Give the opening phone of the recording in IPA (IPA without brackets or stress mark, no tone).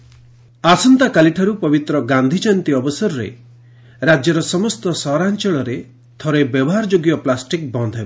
a